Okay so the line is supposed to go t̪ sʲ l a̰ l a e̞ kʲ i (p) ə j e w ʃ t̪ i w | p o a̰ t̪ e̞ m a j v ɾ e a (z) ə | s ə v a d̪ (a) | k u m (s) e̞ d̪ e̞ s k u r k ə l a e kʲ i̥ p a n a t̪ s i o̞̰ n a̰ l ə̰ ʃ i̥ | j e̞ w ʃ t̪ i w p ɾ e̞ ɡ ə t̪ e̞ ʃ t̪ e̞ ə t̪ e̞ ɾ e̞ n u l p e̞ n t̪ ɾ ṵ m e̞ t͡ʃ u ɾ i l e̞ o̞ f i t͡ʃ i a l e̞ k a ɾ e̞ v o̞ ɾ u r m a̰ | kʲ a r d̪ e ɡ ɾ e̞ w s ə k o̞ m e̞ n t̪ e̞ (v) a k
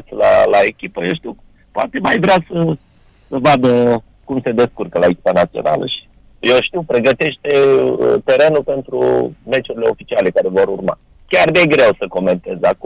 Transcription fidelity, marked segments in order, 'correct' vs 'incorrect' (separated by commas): correct, incorrect, incorrect, correct, incorrect